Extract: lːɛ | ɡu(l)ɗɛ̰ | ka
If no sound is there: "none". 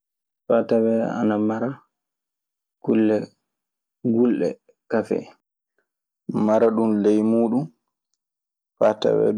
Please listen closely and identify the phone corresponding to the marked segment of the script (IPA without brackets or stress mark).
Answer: l